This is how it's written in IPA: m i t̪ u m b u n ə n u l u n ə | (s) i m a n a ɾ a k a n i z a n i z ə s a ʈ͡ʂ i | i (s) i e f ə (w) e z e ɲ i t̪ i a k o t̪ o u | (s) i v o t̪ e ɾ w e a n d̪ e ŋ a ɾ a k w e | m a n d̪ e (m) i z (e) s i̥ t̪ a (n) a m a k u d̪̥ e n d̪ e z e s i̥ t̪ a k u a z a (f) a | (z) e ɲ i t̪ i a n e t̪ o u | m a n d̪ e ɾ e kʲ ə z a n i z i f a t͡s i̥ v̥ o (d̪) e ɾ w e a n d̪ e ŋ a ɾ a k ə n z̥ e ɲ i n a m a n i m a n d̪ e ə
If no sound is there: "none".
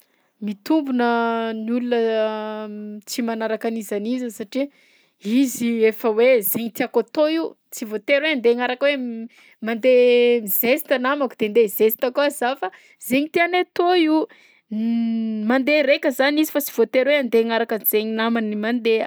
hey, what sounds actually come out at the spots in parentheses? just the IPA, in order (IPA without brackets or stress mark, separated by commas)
t͡s, z, w, t͡s, m, e, n, f, z, t̪